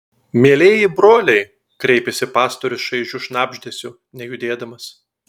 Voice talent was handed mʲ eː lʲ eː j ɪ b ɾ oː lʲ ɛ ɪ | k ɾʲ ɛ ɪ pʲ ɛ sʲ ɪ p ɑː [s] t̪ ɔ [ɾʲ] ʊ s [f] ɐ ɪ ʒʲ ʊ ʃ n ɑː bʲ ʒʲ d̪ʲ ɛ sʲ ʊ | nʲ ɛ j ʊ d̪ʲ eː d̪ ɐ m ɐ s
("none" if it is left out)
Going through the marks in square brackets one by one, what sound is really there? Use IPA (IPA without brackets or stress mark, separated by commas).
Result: s, ɾʲ, ʃ